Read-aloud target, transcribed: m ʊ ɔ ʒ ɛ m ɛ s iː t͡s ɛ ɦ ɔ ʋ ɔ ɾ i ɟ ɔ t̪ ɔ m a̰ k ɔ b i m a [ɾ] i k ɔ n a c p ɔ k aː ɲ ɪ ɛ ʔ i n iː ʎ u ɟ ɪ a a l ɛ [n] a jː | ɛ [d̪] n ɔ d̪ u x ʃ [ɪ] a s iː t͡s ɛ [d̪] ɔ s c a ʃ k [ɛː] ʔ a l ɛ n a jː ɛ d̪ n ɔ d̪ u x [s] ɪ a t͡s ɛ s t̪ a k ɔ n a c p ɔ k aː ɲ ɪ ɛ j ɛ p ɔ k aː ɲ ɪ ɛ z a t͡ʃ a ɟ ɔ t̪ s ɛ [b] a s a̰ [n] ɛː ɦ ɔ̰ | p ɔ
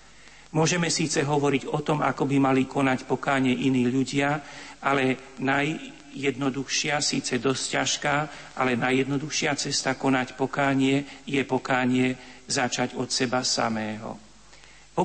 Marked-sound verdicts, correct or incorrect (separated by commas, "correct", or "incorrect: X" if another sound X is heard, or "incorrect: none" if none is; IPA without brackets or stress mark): incorrect: l, correct, correct, correct, correct, incorrect: aː, incorrect: ʃ, correct, incorrect: m